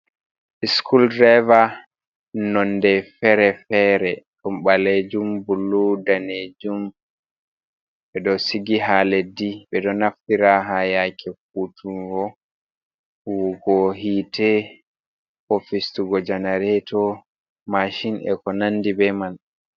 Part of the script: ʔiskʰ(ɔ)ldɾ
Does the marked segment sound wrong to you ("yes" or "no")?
yes